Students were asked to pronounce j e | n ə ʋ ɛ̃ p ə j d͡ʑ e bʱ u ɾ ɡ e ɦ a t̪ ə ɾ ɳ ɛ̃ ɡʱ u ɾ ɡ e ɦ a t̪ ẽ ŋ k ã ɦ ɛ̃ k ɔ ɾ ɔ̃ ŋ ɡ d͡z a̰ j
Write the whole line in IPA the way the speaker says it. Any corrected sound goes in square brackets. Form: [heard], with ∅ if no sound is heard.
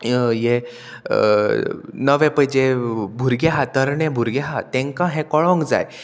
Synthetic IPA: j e | n ə ʋ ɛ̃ p ə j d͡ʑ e bʱ u ɾ ɡ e ɦ a t̪ ə ɾ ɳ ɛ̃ [bʱ] u ɾ ɡ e ɦ a t̪ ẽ ŋ k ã ɦ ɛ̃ k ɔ [ɭ] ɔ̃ ŋ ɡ d͡z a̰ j